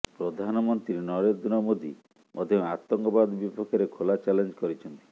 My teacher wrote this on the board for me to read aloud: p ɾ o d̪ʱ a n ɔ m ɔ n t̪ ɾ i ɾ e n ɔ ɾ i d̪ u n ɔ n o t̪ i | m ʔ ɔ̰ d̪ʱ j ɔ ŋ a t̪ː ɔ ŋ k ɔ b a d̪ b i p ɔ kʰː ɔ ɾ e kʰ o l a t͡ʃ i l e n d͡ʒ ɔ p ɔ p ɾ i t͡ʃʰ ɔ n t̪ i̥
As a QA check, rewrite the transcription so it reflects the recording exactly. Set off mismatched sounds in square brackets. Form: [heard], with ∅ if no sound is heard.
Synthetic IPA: p ɾ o d̪ʱ a n ɔ m ɔ n t̪ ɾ i ɾ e n ɔ ɾ [e] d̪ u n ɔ [m] o [d̪] i | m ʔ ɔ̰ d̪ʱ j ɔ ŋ a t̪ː ɔ ŋ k ɔ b a d̪ b i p ɔ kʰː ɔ ɾ e kʰ o l a t͡ʃ [a] l e n d͡ʒ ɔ [k] ɔ [∅] ɾ i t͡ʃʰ ɔ n t̪ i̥

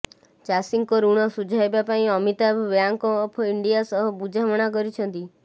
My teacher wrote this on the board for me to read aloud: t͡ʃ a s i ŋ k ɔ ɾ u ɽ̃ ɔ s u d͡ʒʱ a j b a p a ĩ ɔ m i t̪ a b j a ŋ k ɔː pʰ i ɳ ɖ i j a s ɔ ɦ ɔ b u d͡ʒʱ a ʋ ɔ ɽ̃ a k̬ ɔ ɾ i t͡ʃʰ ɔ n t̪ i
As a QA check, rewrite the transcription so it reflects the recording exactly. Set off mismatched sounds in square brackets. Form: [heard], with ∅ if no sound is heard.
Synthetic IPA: t͡ʃ a s i ŋ k ɔ ɾ u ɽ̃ ɔ s u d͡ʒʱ a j b a p a ĩ ɔ m i t̪ a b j a ŋ k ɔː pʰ i ɳ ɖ i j a s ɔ ɦ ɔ b u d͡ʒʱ a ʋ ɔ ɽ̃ a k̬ ɔ ɾ i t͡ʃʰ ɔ n t̪ i

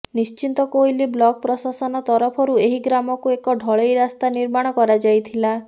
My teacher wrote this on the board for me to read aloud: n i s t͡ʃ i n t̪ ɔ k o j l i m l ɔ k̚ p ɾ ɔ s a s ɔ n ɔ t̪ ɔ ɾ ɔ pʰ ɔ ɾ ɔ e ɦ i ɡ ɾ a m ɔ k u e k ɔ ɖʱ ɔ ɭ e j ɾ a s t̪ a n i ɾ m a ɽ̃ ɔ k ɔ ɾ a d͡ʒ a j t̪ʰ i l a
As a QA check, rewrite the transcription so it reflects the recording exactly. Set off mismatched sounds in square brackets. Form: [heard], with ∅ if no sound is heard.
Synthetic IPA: n i s t͡ʃ i n t̪ ɔ k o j l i [b] l ɔ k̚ p ɾ ɔ s a s ɔ n ɔ t̪ ɔ ɾ ɔ pʰ ɔ ɾ [u] e ɦ i ɡ ɾ a m ɔ k u e k ɔ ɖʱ ɔ ɭ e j ɾ a s t̪ a n i ɾ m a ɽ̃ ɔ k ɔ ɾ a d͡ʒ a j t̪ʰ i l a

